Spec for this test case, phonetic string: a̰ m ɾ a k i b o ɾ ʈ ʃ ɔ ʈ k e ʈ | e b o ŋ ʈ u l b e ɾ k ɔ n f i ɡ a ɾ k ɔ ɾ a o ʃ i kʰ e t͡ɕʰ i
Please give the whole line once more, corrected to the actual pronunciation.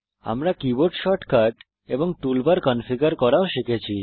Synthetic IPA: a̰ m ɾ a k i b o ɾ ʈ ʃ ɔ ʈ k a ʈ | e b o ŋ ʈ u l b a ɾ k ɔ n f i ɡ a ɾ k ɔ ɾ a o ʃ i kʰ e t͡ɕʰ i